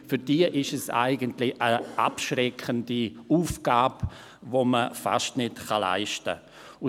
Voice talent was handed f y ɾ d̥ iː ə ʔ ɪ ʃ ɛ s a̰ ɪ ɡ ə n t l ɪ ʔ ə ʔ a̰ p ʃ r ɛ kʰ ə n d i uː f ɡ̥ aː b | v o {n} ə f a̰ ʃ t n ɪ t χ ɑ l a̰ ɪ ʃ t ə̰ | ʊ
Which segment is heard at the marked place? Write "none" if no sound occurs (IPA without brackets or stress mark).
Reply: m